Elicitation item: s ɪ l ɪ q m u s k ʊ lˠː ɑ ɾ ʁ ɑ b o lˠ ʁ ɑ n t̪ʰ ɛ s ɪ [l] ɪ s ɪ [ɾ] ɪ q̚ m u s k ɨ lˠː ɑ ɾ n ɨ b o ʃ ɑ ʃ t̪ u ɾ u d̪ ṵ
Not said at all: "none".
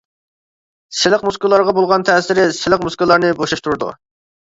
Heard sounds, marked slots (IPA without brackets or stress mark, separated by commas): ɾ, l